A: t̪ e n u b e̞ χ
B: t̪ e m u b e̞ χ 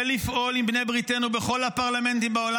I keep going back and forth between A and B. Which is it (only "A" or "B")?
A